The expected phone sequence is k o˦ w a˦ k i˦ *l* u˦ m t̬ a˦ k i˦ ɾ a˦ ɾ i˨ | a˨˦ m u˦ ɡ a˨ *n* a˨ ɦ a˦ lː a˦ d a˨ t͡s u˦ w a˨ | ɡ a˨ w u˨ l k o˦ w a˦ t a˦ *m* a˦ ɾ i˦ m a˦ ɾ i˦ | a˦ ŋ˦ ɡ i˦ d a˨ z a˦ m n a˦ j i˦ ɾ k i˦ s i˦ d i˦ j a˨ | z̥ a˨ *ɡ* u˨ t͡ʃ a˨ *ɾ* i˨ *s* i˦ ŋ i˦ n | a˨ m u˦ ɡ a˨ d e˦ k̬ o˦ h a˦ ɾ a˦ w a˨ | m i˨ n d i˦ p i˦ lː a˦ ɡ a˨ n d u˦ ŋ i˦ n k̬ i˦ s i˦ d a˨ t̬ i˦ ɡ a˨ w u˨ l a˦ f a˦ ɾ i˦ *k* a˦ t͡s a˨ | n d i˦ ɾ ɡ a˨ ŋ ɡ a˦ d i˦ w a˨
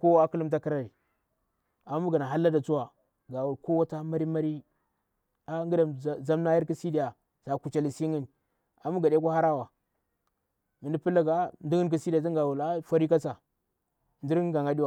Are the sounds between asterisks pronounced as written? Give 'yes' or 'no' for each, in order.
yes, yes, yes, no, no, yes, yes

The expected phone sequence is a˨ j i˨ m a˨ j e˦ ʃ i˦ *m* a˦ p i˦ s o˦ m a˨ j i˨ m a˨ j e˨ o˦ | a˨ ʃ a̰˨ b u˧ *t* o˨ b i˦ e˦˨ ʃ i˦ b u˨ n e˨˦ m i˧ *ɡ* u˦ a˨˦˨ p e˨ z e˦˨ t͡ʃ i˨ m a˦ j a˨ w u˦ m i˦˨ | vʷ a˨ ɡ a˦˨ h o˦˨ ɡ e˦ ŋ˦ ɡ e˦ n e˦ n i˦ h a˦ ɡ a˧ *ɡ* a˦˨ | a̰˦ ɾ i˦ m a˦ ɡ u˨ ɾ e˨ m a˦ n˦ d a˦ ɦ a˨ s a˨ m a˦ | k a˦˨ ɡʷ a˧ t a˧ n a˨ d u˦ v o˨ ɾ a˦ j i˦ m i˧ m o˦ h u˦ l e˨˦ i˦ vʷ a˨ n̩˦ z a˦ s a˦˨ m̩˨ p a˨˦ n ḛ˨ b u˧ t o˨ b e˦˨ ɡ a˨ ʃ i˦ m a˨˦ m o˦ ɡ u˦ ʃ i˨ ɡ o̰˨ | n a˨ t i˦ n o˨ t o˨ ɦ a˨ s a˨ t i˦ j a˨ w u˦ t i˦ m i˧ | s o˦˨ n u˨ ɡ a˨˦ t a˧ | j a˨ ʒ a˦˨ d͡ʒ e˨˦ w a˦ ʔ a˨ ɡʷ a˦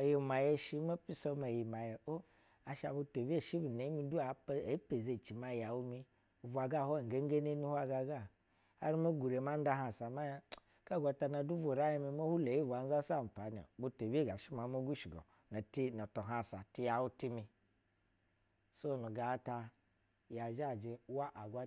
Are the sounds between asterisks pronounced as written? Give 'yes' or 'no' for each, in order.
yes, yes, no, yes

